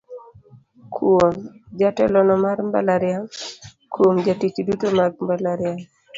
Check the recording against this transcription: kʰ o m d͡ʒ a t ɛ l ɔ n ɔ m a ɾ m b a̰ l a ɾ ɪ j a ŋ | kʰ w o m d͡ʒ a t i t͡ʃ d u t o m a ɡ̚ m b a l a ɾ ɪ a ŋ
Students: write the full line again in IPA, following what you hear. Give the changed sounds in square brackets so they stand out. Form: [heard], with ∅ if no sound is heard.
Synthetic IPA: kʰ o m d͡ʒ a t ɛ l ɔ n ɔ m a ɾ m b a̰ l a ɾ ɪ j a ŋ | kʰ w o m d͡ʒ a t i t͡ʃ d u t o m a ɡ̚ m b a l a ɾ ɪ a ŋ